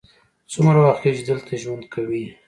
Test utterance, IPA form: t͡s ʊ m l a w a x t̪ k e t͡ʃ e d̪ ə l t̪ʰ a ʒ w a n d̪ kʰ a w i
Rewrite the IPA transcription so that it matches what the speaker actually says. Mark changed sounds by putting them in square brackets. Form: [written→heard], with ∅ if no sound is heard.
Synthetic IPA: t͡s ʊ m [l→ɾ] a w a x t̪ k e t͡ʃ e d̪ ə l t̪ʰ a ʒ w a n d̪ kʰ a w i